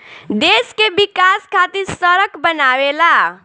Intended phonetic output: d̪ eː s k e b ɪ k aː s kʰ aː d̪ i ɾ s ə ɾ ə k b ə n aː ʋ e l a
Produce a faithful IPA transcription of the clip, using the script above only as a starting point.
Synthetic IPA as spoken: d̪ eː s k e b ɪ k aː s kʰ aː t̪ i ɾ s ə ɾ ə k b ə n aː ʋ e l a